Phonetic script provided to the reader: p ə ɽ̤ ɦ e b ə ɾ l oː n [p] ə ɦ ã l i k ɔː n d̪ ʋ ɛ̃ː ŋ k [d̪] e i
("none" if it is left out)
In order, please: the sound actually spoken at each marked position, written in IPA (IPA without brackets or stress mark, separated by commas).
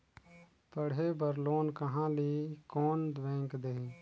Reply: k, d̪